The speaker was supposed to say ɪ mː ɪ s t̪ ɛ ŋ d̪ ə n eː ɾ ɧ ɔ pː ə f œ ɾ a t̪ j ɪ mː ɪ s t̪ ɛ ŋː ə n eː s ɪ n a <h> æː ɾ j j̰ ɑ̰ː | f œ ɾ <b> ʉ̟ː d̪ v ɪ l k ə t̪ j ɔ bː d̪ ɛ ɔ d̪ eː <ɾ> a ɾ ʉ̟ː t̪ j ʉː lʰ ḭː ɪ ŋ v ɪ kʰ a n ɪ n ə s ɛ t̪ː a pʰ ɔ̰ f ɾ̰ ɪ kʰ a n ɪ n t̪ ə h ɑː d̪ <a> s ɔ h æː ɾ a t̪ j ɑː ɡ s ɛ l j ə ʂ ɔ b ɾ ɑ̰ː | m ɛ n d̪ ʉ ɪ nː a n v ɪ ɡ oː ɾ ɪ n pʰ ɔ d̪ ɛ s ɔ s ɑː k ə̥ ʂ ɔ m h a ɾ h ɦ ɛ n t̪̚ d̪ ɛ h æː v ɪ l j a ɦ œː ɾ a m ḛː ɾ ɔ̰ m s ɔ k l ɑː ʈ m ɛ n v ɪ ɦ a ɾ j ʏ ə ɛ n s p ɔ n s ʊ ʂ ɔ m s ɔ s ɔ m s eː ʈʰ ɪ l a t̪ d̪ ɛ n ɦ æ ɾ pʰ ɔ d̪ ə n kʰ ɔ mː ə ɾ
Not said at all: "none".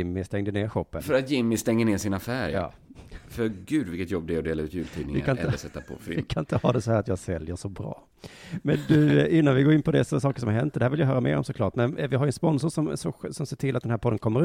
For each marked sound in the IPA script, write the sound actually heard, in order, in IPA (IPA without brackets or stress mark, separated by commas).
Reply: f, ɡ, l, ɛ